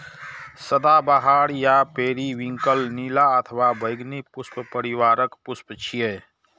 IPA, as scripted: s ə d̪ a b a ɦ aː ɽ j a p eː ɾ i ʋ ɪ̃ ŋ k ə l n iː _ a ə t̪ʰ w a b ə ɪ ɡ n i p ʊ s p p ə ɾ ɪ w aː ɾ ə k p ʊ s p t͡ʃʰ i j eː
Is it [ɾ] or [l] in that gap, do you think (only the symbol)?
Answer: l